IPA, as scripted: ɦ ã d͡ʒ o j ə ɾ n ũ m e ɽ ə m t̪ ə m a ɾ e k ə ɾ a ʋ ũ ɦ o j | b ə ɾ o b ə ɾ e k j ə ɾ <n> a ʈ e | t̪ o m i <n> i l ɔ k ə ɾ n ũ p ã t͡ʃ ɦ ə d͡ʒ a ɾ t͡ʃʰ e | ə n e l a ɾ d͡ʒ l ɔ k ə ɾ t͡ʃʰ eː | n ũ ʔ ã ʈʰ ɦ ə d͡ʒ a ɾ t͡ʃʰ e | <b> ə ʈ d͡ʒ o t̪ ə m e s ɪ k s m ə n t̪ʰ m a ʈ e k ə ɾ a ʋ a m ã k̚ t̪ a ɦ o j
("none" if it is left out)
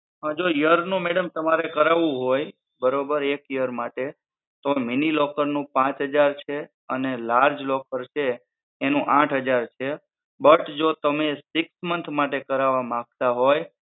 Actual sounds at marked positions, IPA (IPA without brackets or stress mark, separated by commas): m, n, b